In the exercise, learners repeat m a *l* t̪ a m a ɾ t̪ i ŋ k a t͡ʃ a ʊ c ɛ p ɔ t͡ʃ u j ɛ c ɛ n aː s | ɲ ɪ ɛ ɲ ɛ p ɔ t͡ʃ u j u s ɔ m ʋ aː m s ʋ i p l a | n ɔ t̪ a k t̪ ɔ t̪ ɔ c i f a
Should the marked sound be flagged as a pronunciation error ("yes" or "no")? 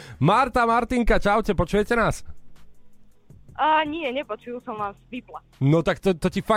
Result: yes